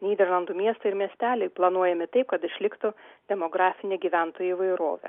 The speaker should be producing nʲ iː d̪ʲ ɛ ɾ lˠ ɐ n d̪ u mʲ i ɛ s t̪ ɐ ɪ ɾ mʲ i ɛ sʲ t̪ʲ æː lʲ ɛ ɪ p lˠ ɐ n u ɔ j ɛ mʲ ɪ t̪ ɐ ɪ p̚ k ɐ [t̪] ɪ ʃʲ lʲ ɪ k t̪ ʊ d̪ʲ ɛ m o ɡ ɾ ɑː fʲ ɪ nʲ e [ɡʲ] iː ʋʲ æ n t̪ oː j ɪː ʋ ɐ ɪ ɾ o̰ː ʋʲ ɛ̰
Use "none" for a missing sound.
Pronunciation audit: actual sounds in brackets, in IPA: t̪, ɡʲ

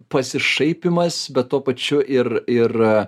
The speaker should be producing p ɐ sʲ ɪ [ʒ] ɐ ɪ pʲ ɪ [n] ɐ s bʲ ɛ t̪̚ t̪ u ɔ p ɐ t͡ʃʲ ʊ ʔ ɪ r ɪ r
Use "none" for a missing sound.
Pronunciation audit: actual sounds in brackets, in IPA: ʃ, m

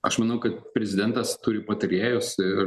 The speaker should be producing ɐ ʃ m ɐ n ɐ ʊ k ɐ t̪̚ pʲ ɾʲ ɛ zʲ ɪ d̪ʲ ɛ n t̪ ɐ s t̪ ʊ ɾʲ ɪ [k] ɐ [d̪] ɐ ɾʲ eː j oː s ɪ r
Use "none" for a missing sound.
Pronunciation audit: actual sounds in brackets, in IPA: p, t̪

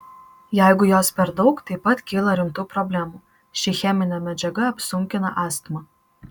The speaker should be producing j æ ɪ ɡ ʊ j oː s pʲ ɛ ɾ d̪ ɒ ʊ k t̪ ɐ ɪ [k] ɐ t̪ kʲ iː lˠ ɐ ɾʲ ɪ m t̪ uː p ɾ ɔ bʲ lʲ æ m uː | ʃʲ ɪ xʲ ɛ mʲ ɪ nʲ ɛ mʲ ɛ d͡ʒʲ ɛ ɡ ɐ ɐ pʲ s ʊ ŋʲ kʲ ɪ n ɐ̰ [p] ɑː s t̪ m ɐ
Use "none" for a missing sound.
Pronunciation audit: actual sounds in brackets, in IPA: p, ʔ

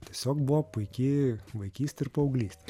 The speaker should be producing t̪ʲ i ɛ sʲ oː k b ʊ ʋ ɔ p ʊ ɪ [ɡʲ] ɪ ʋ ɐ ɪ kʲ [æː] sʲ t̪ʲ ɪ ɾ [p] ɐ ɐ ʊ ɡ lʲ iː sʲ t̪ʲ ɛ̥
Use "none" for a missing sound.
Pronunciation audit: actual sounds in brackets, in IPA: kʲ, iː, p

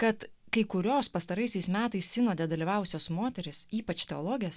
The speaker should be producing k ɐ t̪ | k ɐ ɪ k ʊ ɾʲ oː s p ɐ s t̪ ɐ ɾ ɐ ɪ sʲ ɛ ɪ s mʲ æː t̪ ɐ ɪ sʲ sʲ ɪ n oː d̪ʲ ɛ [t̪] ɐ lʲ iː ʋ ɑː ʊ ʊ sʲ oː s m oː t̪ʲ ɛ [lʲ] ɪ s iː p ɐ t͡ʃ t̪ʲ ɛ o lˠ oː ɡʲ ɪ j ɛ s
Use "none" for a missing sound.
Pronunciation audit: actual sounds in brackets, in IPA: d̪, ɾʲ

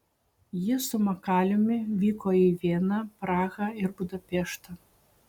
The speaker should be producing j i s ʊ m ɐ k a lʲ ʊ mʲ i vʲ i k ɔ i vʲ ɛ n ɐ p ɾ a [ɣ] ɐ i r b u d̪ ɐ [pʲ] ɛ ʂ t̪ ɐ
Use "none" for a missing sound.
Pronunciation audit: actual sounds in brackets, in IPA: ɣ, pʲ

